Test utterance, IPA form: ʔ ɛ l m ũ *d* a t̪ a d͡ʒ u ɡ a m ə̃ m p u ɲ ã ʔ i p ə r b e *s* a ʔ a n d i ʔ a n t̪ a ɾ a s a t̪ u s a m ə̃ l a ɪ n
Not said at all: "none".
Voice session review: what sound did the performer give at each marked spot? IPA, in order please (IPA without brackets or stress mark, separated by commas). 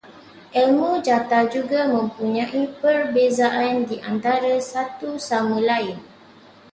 d͡ʒ, z